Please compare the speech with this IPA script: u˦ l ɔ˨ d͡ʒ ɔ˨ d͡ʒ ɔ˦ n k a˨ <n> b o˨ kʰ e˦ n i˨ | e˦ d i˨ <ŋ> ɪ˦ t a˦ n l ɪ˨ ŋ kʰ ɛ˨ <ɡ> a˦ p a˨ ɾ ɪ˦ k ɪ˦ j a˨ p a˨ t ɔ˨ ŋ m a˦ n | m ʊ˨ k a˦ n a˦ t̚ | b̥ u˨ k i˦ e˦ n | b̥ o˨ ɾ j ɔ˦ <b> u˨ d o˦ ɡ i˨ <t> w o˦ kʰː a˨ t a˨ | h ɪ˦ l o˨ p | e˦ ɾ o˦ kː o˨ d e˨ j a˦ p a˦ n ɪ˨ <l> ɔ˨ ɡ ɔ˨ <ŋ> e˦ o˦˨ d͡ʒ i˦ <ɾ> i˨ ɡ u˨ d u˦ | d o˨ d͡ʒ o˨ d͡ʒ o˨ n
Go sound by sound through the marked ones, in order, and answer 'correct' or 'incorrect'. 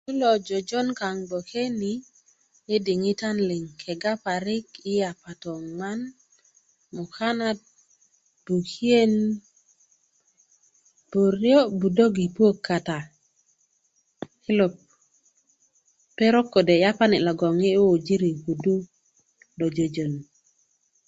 incorrect: ŋ, correct, correct, correct, incorrect: p, correct, correct, correct

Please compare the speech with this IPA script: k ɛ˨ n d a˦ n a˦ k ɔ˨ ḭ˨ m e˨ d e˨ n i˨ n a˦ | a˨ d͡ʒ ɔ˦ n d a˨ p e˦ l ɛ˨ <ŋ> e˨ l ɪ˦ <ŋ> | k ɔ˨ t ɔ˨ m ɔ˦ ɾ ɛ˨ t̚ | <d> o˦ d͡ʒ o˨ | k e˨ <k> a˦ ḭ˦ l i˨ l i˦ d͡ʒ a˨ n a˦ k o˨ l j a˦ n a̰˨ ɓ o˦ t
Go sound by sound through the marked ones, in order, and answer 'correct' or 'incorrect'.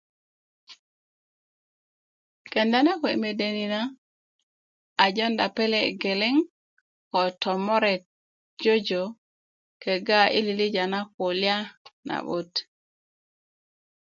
incorrect: ɡ, correct, incorrect: d͡ʒ, incorrect: ɡ

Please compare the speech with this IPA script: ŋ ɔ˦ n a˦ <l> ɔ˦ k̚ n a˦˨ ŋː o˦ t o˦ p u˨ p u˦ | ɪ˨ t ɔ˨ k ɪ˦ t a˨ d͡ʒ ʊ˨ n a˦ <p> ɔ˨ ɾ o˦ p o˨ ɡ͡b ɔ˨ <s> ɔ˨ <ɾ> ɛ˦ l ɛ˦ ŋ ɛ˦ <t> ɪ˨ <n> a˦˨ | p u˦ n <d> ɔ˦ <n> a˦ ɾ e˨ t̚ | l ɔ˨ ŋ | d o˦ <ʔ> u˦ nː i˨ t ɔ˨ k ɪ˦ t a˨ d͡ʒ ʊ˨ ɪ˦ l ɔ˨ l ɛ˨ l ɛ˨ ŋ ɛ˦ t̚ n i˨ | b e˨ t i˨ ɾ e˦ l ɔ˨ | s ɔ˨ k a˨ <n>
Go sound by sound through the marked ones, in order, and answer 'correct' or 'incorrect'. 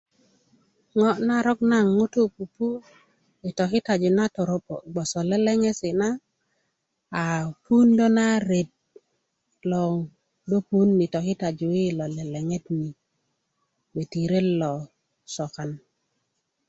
incorrect: ɾ, incorrect: t, correct, incorrect: l, incorrect: s, correct, correct, correct, incorrect: p, correct

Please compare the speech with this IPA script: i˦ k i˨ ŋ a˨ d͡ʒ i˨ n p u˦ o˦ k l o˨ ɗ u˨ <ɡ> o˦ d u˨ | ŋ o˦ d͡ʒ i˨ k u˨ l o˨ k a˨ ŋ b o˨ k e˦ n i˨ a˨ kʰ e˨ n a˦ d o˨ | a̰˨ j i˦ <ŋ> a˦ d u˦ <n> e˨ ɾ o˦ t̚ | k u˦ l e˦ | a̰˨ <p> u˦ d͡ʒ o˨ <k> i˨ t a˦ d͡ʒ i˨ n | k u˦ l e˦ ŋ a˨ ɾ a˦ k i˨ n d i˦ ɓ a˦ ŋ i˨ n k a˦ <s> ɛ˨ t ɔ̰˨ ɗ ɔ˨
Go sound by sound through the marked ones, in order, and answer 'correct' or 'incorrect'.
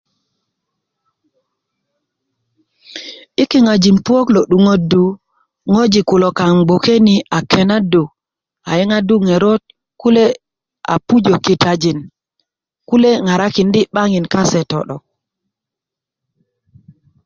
incorrect: ŋ, correct, incorrect: ŋ, correct, correct, correct

